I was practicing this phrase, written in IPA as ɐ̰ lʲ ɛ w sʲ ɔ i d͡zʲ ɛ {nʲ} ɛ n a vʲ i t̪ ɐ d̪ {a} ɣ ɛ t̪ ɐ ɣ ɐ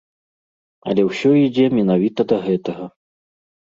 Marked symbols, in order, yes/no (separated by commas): no, no